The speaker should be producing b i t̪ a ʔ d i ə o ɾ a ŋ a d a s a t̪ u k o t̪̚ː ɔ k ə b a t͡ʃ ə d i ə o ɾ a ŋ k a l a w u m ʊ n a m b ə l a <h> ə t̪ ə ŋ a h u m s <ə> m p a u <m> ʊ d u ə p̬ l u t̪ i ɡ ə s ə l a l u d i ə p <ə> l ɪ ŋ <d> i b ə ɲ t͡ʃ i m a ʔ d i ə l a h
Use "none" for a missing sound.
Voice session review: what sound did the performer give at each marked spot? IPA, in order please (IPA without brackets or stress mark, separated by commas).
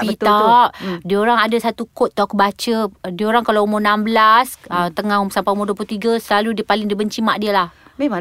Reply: s, a, m, a, d